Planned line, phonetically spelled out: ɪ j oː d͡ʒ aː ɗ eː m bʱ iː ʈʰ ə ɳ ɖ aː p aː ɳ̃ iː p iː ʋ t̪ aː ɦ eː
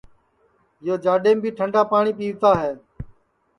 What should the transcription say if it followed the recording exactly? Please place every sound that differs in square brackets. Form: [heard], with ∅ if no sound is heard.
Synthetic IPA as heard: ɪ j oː d͡ʒ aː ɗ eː m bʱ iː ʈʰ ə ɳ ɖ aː p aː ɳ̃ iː p iː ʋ t̪ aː ɦ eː

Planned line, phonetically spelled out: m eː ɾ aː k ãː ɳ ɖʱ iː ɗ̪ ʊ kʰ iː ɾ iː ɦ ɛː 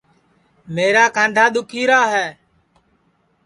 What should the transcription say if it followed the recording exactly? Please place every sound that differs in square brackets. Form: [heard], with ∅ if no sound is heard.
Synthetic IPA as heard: m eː ɾ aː k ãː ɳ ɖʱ [aː] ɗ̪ ʊ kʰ iː ɾ [aː] ɦ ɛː

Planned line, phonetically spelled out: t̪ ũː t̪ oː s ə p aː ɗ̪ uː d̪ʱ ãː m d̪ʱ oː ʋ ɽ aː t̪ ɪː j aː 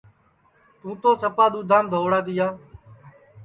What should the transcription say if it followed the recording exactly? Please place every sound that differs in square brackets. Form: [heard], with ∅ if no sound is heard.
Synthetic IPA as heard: t̪ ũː t̪ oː s ə p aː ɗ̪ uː d̪ʱ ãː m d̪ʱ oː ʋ ɽ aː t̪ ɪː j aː

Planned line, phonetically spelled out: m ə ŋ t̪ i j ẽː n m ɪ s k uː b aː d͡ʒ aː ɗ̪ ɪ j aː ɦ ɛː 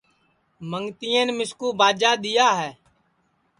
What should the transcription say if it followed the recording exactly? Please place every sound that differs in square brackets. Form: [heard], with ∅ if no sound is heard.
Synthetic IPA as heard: m ə ŋ t̪ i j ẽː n m ɪ s k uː b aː d͡ʒ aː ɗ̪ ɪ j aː ɦ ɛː

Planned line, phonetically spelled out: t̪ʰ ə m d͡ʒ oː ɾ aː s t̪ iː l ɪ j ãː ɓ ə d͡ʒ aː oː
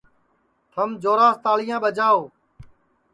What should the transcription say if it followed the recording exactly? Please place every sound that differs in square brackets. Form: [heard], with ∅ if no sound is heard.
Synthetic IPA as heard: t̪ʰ ə m d͡ʒ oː ɾ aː s t̪ [aː] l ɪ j ãː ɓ ə d͡ʒ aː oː

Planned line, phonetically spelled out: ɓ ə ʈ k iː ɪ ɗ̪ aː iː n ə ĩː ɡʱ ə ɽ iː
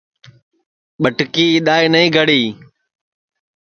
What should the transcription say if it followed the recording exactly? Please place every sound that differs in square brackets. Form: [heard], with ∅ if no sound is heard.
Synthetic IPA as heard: ɓ ə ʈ k iː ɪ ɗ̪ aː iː n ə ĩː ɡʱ ə ɽ iː

